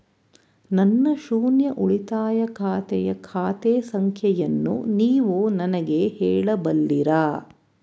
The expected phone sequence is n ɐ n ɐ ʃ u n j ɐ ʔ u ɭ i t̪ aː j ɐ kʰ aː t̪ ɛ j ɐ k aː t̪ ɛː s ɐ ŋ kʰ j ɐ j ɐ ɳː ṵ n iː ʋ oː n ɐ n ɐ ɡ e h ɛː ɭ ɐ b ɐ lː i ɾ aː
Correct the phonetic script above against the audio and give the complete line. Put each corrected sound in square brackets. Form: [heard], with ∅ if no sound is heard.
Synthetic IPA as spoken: n ɐ [nː] ɐ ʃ [uː] n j ɐ ʔ u ɭ i t̪ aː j ɐ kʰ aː t̪ ɛ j ɐ [kʰ] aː t̪ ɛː s ɐ ŋ kʰ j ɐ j ɐ [nː] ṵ n iː ʋ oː n ɐ n ɐ ɡ e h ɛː ɭ ɐ b ɐ lː i ɾ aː